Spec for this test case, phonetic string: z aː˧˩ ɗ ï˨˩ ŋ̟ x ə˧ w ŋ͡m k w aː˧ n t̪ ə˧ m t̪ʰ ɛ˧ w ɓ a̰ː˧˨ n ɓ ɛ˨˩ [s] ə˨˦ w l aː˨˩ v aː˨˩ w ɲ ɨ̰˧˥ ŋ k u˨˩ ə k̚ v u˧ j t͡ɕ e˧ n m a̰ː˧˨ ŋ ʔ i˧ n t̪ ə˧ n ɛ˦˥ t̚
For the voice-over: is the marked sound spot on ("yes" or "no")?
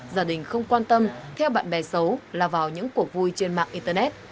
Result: yes